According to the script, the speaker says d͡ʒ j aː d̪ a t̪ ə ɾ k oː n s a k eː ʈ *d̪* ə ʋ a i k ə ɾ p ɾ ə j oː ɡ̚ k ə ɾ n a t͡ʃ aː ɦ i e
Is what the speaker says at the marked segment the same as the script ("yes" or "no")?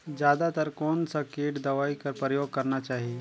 yes